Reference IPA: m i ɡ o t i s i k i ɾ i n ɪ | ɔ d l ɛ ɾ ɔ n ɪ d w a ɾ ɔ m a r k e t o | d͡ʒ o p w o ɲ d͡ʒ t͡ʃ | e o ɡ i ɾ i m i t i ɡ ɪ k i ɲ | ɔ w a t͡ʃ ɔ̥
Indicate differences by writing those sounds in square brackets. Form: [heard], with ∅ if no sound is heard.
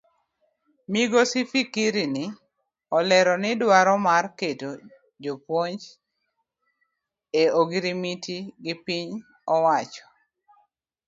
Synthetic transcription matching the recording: m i ɡ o [s] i [f] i k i ɾ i n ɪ | ɔ [∅] l ɛ ɾ ɔ n ɪ d w a ɾ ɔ m a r k e t o | d͡ʒ o p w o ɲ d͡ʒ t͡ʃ | e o ɡ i ɾ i m i t i ɡ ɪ [p] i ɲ | ɔ w a t͡ʃ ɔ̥